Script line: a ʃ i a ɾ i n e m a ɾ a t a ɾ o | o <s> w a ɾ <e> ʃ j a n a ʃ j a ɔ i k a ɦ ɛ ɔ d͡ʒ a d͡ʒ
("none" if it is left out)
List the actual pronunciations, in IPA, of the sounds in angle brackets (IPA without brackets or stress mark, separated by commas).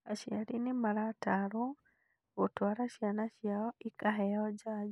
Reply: t, a